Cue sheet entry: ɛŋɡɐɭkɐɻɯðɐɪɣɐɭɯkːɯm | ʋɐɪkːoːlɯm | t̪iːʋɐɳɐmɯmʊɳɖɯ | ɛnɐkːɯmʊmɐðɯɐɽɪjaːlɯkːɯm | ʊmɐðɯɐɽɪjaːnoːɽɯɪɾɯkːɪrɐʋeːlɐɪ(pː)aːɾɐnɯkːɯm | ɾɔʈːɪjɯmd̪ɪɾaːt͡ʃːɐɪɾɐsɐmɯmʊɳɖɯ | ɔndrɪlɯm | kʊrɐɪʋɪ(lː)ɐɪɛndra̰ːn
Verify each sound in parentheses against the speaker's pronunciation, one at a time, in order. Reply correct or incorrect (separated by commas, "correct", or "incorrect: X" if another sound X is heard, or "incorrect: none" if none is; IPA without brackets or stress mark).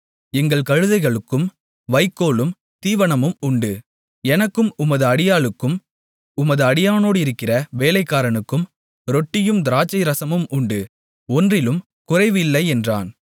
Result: incorrect: kː, correct